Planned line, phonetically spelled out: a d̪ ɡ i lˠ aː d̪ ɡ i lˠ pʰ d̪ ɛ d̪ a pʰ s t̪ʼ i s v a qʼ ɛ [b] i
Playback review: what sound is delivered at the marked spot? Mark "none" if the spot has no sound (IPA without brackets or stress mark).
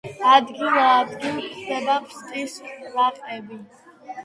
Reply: b